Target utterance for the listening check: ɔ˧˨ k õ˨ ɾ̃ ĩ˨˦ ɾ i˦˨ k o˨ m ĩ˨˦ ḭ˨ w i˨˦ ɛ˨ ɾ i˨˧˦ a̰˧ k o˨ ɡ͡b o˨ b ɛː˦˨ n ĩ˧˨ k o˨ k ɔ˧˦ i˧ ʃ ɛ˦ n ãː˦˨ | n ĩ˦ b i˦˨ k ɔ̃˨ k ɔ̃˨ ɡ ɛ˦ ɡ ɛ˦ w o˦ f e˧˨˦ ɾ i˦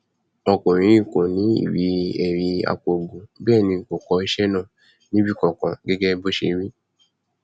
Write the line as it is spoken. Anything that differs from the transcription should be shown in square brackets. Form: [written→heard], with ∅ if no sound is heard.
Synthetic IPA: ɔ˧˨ k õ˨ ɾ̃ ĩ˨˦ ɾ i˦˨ k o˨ [m→n] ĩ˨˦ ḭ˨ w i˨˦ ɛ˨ ɾ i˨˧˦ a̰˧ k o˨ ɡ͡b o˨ b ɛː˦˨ n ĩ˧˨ k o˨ k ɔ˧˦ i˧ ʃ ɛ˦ n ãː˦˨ | n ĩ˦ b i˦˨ k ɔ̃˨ k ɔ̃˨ ɡ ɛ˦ ɡ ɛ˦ [w→b] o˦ [f→ʃ] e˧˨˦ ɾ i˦